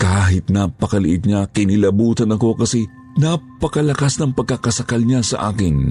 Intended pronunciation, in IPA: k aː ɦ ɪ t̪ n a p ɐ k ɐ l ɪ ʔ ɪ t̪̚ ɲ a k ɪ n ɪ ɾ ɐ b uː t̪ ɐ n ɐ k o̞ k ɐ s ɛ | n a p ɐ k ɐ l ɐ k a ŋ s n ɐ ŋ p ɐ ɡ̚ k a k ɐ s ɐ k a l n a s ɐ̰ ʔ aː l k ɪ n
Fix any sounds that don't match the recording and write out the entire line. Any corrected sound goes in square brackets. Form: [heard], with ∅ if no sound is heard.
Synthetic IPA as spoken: k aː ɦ ɪ t̪ n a p ɐ k ɐ l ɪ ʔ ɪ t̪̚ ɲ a k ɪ n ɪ [l] ɐ b uː t̪ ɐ n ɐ k o̞ k ɐ s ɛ | n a p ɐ k ɐ l ɐ k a [∅] s n ɐ ŋ p ɐ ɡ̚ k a k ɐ s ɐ k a l [ɲ] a s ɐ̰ ʔ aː [∅] k ɪ n